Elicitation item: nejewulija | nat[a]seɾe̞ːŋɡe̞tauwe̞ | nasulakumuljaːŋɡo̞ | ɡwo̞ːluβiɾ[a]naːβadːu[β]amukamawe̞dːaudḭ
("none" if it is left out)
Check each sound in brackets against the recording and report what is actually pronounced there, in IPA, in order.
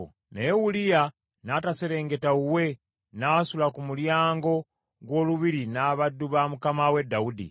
a, i, β

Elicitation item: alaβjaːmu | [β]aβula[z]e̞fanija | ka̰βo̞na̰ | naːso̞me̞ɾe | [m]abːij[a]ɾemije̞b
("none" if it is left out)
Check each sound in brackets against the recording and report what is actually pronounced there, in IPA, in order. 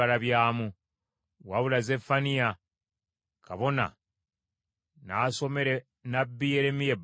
w, z, n, e

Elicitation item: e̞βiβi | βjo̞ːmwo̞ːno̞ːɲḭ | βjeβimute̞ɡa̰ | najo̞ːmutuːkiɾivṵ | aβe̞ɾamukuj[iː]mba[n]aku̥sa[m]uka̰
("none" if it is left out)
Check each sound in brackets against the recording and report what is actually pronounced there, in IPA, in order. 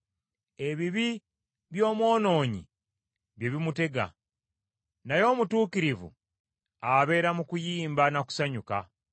iː, n, ɲ

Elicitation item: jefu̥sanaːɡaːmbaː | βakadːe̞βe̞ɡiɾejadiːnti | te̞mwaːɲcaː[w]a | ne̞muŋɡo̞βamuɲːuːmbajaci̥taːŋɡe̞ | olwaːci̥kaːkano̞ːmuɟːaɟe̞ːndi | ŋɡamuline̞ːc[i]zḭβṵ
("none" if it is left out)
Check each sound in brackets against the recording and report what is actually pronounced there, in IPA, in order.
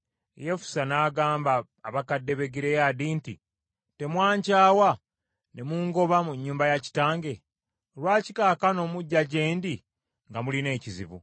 w, i

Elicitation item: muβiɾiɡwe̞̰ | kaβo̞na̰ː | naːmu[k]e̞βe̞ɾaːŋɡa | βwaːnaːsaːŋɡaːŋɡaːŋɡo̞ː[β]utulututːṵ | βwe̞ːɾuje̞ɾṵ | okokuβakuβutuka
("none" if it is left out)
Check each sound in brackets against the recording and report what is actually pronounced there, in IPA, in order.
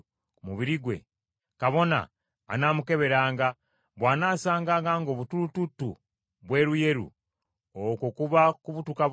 k, β

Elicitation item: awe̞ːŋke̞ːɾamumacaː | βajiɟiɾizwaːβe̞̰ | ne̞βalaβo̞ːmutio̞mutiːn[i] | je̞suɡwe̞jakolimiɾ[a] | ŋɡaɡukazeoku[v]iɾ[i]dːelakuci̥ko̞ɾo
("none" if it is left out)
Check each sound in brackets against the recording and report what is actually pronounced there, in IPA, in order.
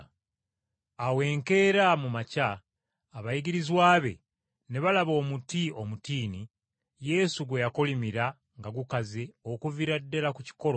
i, a, v, a

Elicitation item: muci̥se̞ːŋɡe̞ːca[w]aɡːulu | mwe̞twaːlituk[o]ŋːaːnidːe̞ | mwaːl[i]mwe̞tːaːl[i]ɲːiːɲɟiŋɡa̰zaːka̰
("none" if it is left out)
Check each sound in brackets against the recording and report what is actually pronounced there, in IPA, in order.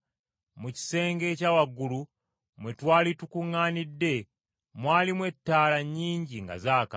w, u, i, a

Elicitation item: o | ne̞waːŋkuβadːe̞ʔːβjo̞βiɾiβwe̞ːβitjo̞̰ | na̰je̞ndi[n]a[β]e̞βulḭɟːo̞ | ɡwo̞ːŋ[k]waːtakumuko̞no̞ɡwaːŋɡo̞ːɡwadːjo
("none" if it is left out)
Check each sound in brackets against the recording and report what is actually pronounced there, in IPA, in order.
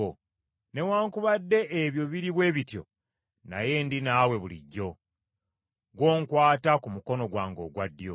n, w, k

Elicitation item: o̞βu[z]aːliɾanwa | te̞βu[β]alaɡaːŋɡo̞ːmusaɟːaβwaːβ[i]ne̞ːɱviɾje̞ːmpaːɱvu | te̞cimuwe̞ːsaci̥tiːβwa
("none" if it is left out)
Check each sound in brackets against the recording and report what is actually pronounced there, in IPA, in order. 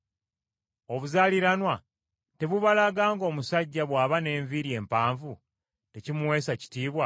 z, β, a

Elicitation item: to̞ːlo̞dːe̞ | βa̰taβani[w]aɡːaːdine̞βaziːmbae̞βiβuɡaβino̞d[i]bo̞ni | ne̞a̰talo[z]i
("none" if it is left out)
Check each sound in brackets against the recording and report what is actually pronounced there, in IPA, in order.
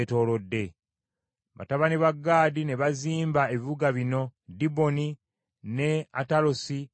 β, i, s

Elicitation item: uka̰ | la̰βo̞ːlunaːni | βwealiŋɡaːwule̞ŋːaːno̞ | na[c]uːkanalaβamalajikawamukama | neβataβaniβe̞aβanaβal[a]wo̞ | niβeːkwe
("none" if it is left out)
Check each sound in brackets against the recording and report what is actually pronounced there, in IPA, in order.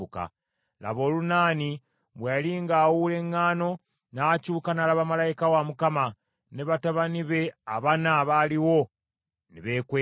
c, i

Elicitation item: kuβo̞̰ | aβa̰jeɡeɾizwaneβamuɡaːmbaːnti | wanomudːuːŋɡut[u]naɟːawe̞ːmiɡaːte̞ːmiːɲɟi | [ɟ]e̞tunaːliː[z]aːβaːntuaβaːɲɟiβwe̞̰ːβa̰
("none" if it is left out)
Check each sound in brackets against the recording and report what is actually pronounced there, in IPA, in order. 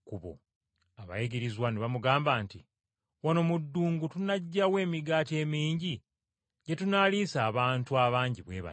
u, ɟ, s

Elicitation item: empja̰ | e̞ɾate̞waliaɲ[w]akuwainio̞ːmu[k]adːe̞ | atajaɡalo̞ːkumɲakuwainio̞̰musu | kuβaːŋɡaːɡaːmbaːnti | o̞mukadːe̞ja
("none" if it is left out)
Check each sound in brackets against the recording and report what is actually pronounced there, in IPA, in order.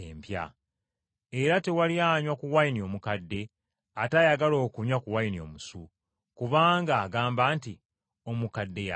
w, k

